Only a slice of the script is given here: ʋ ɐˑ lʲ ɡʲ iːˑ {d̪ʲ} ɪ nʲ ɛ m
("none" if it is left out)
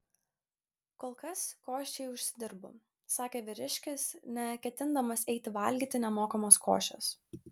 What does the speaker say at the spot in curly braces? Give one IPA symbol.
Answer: t̪ʲ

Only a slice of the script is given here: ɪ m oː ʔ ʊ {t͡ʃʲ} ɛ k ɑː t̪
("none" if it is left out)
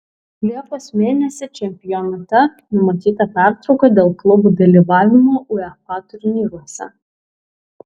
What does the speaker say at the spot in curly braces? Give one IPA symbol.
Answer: none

